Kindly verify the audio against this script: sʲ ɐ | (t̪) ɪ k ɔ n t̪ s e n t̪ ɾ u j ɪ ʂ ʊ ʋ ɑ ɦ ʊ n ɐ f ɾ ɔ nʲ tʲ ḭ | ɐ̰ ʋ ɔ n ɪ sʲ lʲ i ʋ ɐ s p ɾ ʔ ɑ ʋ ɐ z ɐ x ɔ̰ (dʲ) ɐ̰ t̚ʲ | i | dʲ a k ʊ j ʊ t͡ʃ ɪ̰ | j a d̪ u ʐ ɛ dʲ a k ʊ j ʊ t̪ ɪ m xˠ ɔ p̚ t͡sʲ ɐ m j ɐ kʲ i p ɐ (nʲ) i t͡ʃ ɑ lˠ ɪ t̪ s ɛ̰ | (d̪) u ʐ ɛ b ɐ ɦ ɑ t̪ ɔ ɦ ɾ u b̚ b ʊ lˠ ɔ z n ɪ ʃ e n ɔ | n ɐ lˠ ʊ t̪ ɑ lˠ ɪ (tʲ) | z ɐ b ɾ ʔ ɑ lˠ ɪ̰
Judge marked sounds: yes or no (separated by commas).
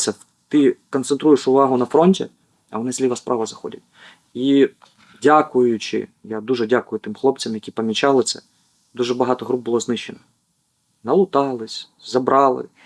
yes, yes, no, yes, no